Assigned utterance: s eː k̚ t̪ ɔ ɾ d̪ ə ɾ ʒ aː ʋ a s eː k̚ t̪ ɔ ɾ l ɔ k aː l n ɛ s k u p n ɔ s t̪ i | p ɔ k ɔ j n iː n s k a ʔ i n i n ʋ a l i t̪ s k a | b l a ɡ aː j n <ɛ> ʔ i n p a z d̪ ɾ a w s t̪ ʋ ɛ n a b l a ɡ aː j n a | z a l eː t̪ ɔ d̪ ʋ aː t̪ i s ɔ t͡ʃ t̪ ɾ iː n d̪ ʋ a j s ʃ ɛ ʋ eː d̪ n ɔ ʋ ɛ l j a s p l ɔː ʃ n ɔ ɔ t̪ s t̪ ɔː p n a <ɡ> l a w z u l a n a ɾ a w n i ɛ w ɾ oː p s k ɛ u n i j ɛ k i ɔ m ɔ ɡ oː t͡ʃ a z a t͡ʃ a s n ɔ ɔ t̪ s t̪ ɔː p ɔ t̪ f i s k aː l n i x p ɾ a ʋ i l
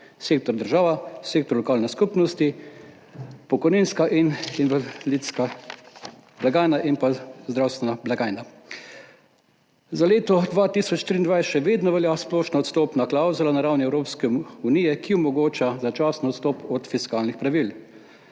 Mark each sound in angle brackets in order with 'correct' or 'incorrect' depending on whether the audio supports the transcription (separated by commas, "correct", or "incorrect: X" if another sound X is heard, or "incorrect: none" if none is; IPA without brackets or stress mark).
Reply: incorrect: a, incorrect: k